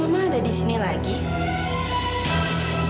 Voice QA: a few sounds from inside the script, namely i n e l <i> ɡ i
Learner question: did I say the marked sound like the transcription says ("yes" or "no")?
no